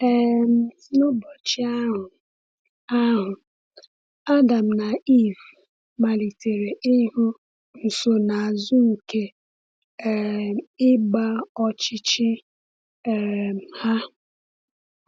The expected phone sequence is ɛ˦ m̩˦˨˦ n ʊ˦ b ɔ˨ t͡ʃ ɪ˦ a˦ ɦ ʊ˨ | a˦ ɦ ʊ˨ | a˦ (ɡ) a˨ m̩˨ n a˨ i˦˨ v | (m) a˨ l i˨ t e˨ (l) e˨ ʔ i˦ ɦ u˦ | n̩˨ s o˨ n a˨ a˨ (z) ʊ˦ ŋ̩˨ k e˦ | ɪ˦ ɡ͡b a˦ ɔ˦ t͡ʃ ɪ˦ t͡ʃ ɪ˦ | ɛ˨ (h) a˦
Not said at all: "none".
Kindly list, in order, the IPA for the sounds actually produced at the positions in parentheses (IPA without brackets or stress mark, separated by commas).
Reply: d, m, ɾ, z, h